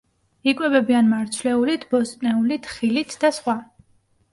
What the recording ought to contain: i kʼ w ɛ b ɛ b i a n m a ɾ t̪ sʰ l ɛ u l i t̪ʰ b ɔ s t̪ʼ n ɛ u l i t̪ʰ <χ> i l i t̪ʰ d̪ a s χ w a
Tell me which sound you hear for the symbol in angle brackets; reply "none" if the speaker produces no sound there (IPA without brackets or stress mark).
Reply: χ